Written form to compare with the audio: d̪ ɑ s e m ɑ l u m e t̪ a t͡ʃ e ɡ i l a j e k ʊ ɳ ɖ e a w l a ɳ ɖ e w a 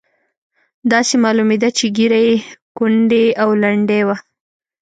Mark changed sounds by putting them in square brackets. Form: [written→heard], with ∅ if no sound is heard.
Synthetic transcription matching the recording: d̪ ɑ s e m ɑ l u m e [t̪→d̪] a t͡ʃ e ɡ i [l→ɾ] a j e k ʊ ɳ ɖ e a w l a ɳ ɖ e w a